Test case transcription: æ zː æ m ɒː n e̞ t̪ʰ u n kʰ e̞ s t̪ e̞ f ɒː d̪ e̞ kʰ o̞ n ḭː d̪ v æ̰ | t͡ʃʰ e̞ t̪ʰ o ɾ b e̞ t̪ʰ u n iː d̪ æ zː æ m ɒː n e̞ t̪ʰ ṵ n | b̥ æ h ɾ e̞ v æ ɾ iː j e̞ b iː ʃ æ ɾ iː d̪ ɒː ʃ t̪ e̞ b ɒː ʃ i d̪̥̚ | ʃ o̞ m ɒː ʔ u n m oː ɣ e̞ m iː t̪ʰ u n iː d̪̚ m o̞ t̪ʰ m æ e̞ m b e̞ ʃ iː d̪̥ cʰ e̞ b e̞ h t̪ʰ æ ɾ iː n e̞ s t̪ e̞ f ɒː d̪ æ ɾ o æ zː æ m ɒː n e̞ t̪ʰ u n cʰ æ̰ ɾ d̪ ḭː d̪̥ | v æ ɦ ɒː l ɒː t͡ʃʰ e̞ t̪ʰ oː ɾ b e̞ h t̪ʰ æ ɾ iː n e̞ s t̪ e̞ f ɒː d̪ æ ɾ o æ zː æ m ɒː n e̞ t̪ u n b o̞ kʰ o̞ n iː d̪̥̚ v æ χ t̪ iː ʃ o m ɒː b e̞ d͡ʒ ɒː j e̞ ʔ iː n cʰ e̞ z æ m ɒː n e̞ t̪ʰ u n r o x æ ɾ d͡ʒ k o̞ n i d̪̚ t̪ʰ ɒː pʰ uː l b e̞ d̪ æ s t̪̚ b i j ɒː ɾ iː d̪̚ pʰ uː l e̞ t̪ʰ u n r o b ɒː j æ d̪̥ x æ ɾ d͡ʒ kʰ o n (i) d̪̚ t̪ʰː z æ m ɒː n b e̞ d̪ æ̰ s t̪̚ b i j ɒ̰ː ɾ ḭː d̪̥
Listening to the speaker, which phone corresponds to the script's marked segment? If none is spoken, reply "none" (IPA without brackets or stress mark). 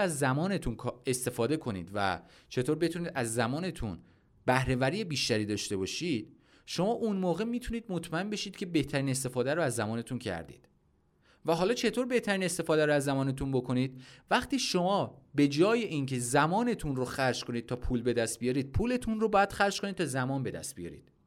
i